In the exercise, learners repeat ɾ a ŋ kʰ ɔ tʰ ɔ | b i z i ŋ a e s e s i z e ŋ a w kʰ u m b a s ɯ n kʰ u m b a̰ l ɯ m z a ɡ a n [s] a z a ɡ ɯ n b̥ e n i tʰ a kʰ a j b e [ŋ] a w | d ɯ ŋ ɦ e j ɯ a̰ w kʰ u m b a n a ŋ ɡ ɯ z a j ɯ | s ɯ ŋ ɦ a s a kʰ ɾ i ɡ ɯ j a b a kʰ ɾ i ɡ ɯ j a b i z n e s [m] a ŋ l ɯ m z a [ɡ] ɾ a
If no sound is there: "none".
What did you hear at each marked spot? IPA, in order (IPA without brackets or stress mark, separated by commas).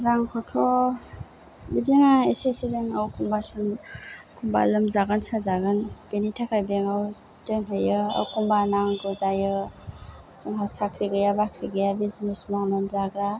s, ŋ, m, ɡ